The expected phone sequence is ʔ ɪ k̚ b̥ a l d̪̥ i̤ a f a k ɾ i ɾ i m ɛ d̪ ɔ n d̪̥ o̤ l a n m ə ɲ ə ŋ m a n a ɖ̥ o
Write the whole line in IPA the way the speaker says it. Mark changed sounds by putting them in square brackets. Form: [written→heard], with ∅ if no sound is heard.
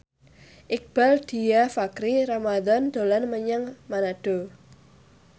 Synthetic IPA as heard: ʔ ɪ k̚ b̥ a l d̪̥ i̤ a f a k ɾ i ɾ [i→a] m [ɛ→a] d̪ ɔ n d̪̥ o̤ l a n m ə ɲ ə ŋ m a n a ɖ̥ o